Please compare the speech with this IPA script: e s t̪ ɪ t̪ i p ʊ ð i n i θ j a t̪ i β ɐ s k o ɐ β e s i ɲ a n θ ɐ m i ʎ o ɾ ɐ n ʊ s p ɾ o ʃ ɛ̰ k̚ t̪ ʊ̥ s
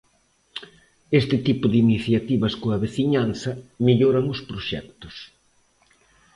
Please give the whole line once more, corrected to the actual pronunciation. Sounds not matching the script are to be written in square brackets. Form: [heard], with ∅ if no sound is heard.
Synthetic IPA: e s t̪ ɪ t̪ i p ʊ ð i n i θ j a t̪ i β ɐ s k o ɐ β e [θ] i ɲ a n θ ɐ m i ʎ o ɾ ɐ [ŋ] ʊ s p ɾ o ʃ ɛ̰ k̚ t̪ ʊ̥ s